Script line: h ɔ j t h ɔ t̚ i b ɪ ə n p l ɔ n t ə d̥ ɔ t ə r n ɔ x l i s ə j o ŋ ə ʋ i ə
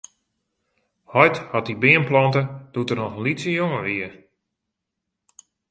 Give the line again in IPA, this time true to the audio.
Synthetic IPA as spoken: h ɔ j t h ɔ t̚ i b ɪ ə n p l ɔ n t ə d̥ u t ə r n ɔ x l i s ə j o ŋ ə ʋ i ə